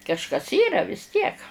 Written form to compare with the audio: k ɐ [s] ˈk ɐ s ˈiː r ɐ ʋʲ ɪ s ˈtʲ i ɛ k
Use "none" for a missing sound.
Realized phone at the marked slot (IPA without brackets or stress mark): ʃ